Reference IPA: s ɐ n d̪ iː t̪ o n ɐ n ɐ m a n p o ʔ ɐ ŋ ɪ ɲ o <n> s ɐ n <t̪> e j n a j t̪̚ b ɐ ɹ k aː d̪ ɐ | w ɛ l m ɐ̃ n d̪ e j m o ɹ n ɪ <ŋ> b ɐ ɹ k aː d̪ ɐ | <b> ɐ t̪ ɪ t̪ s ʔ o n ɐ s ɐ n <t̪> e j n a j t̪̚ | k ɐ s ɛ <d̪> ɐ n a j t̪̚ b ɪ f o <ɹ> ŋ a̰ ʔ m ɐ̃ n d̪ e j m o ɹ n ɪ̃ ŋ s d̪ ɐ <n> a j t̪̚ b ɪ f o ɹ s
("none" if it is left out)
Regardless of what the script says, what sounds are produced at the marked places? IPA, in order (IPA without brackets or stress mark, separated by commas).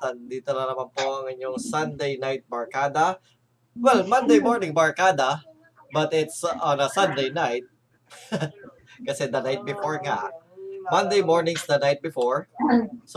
ŋ, d̪, ŋ, b, d̪, d̪, ɹ, n